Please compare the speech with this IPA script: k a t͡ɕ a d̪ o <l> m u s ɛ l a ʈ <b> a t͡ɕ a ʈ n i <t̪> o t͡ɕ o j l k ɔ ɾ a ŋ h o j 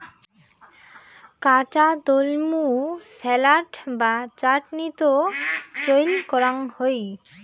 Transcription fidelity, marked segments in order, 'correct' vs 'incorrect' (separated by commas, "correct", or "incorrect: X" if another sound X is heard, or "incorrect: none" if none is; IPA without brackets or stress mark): correct, correct, correct